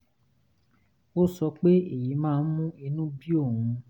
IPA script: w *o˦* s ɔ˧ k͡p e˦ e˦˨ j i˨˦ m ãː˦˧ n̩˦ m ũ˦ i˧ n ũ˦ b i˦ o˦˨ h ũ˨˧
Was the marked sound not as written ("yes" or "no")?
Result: no